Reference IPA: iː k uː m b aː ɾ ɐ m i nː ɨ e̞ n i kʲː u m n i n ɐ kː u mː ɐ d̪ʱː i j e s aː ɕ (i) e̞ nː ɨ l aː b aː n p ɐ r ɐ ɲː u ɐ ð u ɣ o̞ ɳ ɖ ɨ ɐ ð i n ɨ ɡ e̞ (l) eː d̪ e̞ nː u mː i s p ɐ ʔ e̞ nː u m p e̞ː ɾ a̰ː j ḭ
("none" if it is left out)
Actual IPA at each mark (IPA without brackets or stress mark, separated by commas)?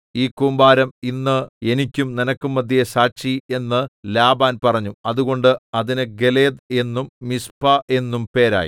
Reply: i, l